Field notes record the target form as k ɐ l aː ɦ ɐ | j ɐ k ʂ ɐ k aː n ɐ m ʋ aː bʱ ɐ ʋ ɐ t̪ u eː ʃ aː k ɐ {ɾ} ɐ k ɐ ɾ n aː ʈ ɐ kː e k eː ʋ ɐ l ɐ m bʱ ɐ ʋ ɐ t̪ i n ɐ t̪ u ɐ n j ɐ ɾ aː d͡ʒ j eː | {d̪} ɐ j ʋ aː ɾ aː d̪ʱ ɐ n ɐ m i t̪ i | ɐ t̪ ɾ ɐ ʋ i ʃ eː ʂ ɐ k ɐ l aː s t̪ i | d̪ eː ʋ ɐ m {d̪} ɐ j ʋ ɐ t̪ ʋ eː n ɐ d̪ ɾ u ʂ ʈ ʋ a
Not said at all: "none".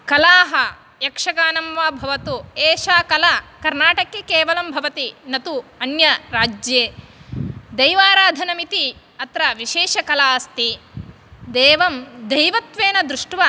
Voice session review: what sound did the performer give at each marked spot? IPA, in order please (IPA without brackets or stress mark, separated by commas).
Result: l, d̪, d̪